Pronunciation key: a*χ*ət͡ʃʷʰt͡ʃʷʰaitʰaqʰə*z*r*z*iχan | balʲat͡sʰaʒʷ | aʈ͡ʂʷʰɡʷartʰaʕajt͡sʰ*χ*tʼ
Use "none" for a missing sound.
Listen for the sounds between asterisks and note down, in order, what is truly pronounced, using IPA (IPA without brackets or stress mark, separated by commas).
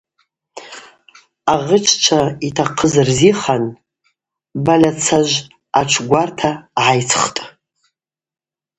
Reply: ʁ, z, z, χ